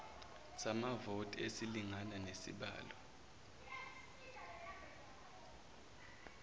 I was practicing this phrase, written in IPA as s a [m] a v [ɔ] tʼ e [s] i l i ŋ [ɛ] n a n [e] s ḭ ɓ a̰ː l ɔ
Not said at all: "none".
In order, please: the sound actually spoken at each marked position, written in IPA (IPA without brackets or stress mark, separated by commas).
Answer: m, o, s, a, e